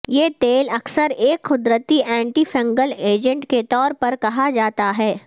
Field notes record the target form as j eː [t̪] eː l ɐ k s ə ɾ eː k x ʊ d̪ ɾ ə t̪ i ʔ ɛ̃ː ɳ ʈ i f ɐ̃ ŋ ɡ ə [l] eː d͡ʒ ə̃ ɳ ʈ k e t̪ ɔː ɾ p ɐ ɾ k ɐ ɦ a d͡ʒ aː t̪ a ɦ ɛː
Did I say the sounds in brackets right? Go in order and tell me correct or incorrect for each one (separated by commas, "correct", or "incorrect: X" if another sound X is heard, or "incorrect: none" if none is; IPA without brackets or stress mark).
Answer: correct, correct